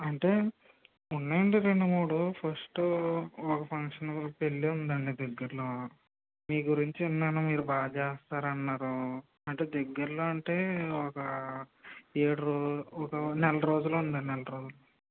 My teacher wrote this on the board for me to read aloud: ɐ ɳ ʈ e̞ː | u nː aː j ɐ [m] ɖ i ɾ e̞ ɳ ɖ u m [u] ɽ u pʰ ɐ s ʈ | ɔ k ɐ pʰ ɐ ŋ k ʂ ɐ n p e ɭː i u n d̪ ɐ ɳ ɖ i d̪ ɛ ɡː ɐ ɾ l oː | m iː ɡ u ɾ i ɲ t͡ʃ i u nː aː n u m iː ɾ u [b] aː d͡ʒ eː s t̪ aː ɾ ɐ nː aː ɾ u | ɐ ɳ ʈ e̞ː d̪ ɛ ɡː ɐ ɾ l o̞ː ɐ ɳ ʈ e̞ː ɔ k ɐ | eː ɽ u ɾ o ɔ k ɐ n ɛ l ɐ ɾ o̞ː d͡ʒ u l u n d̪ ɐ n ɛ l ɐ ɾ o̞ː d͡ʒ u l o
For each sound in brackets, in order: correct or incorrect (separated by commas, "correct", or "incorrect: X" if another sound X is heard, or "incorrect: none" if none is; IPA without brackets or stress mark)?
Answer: incorrect: ɳ, incorrect: uː, correct